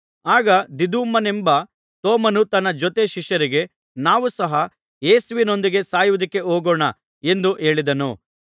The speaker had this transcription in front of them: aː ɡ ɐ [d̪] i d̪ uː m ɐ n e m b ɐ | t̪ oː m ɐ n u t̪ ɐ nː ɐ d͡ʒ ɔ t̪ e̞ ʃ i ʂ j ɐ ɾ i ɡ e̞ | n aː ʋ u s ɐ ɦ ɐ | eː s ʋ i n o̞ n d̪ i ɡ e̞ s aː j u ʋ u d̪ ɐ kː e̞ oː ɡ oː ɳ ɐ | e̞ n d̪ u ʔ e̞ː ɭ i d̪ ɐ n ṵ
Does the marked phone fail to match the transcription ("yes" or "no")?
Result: no